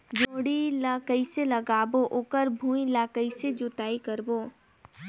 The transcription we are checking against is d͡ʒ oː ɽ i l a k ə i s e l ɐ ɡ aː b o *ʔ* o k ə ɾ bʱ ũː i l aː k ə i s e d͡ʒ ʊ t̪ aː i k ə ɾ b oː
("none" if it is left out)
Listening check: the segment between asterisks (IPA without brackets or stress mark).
ʔ